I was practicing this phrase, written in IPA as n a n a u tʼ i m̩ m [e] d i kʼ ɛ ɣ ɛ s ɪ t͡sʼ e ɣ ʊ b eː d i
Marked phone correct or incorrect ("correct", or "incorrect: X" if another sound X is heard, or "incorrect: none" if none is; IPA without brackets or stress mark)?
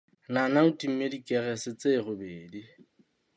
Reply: correct